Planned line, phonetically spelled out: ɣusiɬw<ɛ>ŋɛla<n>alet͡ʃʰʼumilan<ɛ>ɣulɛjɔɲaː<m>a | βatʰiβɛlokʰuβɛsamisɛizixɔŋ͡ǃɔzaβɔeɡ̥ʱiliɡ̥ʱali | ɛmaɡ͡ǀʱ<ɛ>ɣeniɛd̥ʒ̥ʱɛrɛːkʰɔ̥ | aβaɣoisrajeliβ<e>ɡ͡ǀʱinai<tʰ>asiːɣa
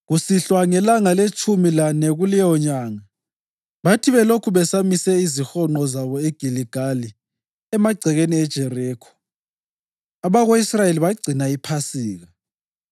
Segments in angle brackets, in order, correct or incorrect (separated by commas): incorrect, incorrect, correct, incorrect, correct, incorrect, incorrect